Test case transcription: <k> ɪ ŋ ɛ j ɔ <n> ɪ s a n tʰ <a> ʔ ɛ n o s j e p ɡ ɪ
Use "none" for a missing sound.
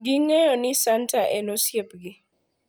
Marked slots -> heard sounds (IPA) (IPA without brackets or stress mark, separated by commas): ɡ, n, a